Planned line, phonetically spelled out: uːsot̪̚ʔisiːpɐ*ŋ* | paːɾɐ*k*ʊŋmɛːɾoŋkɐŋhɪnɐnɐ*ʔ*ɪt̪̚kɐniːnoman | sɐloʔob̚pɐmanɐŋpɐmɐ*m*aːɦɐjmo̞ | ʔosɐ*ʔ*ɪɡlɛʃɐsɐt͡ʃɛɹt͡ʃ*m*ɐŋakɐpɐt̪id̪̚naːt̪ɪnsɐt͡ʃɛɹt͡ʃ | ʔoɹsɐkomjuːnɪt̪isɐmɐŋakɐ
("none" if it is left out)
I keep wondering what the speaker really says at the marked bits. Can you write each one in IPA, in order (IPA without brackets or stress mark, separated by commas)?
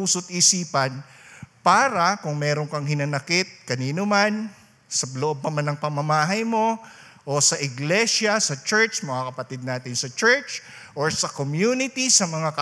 n, k, k, m, ʔ, m